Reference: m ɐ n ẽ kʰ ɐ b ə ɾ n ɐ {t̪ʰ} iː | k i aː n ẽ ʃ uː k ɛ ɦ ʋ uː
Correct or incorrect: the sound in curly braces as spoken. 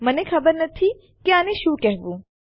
correct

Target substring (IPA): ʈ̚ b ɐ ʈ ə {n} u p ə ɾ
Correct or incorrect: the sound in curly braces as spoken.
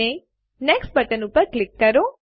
correct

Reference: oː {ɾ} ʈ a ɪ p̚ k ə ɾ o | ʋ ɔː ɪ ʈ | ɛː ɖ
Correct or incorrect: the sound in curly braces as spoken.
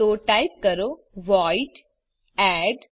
incorrect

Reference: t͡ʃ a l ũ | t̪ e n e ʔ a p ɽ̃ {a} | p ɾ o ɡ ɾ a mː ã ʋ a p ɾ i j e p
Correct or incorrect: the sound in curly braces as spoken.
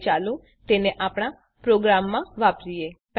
correct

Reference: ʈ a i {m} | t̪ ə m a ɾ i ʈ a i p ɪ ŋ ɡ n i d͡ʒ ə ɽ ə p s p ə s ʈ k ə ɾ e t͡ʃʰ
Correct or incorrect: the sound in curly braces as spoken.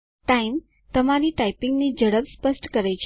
correct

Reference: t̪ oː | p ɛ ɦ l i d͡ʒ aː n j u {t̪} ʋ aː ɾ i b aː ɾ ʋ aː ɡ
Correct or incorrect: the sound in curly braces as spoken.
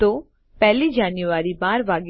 incorrect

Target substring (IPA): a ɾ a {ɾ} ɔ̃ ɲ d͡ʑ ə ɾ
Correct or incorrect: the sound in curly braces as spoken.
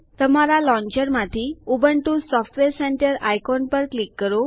incorrect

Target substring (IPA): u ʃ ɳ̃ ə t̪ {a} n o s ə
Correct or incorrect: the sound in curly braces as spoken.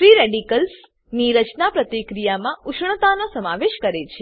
correct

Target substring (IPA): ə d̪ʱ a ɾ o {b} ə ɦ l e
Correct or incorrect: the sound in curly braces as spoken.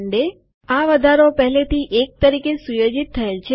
incorrect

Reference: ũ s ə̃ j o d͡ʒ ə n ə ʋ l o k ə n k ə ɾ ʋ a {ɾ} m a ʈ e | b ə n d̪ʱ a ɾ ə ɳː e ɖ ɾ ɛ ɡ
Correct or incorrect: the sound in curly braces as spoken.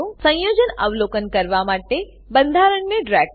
incorrect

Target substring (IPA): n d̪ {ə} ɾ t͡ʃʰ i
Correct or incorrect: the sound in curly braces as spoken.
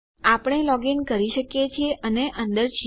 correct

